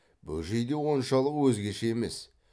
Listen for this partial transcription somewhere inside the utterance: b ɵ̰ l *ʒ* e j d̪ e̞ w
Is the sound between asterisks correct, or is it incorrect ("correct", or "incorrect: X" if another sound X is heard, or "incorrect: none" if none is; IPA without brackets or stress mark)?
correct